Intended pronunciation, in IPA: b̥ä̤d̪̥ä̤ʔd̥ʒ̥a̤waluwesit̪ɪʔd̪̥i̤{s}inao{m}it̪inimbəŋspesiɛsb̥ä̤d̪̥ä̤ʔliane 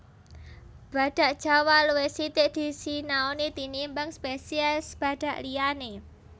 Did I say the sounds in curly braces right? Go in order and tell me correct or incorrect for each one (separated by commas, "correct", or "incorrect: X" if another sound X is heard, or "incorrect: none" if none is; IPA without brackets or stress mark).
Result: correct, incorrect: n